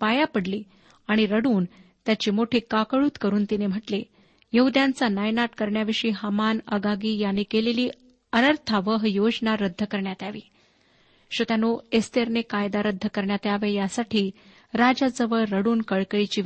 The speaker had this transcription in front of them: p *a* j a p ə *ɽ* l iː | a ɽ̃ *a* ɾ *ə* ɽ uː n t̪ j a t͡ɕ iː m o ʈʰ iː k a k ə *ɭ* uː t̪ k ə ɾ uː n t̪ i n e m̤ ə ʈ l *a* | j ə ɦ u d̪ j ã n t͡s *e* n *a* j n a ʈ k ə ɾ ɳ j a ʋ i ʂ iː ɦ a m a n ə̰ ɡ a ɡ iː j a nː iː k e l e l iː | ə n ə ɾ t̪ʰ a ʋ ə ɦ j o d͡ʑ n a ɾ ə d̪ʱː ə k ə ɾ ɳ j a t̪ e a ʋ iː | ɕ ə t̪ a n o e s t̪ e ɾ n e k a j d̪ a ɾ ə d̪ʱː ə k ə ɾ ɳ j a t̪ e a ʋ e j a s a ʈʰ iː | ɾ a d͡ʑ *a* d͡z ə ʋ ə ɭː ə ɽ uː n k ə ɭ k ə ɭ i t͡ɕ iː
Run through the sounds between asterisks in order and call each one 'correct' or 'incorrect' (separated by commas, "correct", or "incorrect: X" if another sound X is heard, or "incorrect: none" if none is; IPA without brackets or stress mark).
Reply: correct, correct, incorrect: i, correct, correct, incorrect: e, incorrect: a, correct, correct